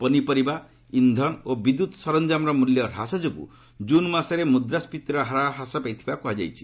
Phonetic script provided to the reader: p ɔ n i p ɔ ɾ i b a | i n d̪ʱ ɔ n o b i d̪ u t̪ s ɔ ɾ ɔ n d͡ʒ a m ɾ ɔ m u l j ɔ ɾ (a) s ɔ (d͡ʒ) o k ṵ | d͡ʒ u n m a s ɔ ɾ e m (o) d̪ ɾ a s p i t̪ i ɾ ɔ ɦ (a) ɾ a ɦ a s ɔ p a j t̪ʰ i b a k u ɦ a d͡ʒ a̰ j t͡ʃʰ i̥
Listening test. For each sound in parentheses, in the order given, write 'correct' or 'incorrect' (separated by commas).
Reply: correct, correct, incorrect, correct